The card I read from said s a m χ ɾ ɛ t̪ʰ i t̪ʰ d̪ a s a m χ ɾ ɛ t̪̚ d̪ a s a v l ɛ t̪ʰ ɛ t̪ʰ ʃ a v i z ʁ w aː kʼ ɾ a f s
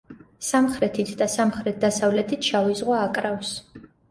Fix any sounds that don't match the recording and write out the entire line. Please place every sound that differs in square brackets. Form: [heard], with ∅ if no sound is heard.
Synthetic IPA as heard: s a m χ ɾ ɛ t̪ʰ i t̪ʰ d̪ a s a m χ ɾ ɛ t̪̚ d̪ a s a v l ɛ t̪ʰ [i] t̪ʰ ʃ a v i z ʁ w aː kʼ ɾ a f s